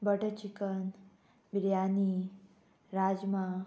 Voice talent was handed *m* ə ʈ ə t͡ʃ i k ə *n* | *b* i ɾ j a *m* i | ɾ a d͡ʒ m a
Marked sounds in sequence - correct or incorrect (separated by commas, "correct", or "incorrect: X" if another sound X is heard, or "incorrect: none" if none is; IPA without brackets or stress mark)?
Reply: incorrect: b, correct, correct, incorrect: n